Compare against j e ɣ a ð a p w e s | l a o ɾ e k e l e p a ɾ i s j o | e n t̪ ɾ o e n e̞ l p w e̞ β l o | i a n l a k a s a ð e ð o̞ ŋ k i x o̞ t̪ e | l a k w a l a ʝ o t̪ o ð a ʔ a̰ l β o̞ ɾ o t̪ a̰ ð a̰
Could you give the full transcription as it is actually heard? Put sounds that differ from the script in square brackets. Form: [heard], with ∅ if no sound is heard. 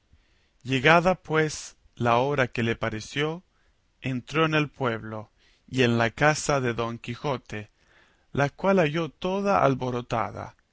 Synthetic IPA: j e ɣ a ð a p w e s | l a o ɾ [a] k e l e p a ɾ [e] s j o | e n t̪ ɾ o e n e̞ l p w e̞ β l o | i [e] n l a k a s a ð e ð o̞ ŋ k i x o̞ t̪ e | l a k w a l a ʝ o t̪ o ð a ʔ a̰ l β o̞ ɾ o t̪ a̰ ð a̰